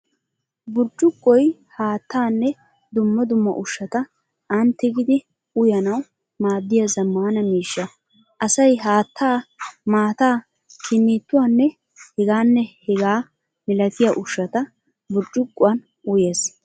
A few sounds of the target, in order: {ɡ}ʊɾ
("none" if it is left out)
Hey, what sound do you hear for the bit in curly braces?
b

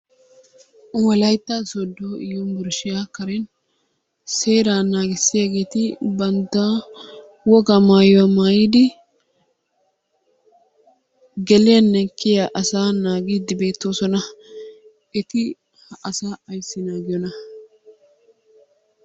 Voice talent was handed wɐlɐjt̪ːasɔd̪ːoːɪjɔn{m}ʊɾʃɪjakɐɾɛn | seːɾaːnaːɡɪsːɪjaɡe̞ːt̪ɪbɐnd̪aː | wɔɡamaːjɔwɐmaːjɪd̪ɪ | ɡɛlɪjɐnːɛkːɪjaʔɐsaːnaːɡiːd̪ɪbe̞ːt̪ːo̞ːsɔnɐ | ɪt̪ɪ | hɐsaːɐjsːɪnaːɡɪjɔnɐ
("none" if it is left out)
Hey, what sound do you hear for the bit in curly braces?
b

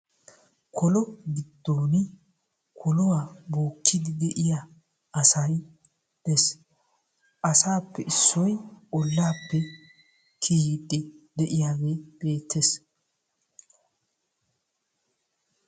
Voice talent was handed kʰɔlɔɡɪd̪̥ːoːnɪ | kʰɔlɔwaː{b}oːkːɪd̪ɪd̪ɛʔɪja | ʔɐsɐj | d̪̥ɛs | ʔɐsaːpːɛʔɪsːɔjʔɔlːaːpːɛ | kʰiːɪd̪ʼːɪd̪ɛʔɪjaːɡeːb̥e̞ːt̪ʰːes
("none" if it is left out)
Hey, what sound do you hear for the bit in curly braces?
b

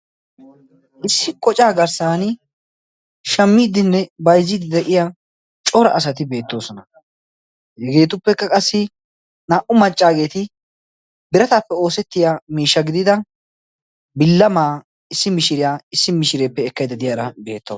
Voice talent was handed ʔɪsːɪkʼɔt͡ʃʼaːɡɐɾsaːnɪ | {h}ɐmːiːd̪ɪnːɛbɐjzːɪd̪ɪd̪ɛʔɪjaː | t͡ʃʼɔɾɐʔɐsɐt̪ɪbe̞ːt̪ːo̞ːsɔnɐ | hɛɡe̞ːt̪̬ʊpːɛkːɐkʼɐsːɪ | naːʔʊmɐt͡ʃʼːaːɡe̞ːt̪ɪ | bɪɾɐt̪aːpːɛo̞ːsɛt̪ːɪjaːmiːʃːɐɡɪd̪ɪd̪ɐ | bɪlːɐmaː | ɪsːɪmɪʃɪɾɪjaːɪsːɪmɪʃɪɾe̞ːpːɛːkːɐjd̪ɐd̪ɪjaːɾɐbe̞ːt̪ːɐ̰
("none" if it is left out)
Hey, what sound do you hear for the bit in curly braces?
ʃ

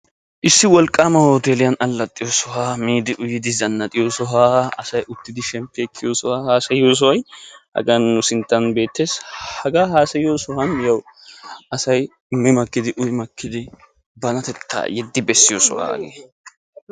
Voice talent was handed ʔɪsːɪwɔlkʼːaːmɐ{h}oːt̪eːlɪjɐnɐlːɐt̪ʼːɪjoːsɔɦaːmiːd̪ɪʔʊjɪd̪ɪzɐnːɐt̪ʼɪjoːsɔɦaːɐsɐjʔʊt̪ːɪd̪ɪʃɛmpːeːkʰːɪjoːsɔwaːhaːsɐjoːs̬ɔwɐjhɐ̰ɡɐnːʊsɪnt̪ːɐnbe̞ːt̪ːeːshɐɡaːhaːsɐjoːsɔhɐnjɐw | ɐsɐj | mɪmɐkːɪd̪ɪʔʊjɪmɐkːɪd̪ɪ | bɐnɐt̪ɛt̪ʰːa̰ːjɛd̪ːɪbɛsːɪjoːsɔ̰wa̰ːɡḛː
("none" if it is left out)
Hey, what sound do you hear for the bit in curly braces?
h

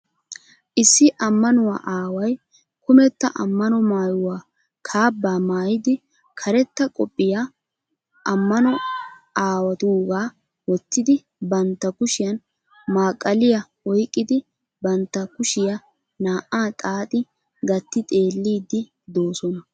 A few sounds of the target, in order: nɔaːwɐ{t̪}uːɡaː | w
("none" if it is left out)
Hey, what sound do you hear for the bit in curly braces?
t̪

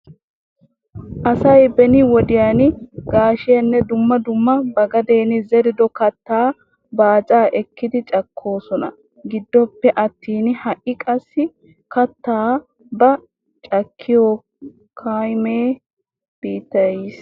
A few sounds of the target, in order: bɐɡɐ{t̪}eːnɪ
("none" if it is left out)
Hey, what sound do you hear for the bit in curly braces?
d̪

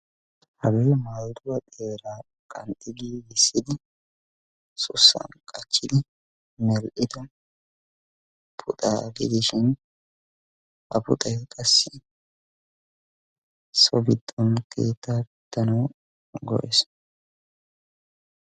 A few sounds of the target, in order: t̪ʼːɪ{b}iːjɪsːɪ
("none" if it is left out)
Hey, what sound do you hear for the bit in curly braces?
ɡ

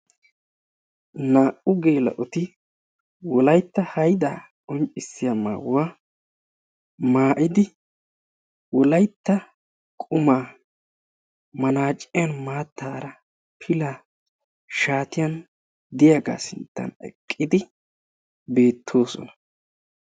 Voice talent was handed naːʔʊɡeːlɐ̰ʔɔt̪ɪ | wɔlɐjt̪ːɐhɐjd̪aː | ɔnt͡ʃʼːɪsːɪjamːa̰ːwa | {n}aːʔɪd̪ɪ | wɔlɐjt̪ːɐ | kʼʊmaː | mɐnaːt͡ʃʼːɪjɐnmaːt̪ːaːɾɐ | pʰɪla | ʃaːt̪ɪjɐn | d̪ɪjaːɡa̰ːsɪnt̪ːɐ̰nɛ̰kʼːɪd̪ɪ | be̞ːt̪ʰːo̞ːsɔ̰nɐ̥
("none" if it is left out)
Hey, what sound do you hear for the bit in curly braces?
m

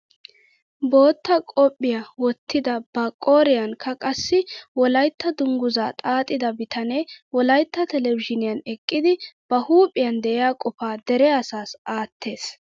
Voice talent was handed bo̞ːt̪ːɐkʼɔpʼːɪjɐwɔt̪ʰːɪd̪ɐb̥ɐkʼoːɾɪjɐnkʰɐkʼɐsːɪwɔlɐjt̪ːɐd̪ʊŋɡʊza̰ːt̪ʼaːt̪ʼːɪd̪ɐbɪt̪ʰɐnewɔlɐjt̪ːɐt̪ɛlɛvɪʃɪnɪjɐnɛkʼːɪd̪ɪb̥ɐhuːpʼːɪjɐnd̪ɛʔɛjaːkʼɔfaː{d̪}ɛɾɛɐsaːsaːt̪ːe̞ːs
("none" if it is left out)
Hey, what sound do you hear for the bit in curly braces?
d̪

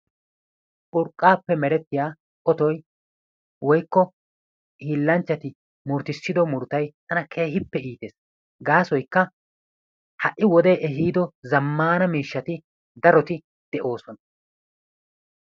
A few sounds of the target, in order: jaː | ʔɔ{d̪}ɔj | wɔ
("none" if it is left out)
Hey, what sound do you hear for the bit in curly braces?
t̪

